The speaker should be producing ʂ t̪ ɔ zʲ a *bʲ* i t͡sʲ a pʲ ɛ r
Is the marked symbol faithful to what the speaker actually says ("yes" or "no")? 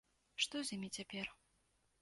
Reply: no